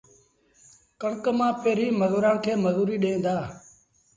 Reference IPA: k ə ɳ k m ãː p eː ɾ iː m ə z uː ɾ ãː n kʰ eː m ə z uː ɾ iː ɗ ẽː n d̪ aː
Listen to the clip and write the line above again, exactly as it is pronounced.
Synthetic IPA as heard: k ə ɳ k m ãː p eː ɾ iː m ə z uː ɾ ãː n kʰ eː m ə z uː ɾ iː ɗ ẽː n d̪ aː